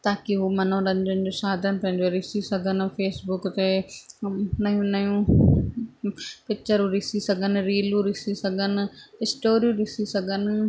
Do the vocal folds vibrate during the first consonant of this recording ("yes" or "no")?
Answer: no